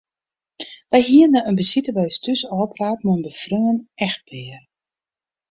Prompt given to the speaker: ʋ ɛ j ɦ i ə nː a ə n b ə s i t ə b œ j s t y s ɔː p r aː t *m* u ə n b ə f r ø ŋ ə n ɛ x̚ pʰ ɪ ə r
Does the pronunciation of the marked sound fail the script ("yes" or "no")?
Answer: no